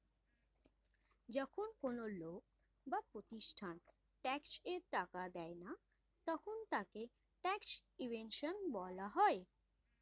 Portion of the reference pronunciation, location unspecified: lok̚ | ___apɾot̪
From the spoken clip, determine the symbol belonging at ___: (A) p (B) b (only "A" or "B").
B